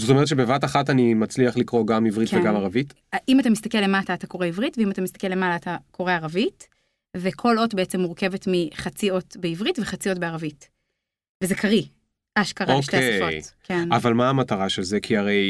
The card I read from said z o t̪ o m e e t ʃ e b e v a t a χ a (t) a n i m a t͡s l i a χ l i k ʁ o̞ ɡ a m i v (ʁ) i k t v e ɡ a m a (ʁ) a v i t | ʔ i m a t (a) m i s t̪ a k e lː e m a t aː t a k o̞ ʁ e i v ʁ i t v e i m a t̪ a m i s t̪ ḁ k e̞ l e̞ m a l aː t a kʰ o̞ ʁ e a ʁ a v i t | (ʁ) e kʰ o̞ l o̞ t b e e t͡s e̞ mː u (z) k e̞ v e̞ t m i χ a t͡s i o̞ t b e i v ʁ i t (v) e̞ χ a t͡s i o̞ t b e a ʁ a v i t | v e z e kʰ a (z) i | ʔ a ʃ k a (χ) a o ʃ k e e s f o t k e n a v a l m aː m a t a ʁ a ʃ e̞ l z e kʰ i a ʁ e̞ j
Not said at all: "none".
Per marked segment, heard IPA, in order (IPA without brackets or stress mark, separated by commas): t, ʁ, ʁ, a, v, ʁ, v, ʁ, ʁ